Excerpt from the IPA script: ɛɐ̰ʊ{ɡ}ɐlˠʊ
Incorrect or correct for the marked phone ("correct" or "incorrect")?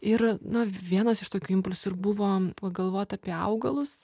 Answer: correct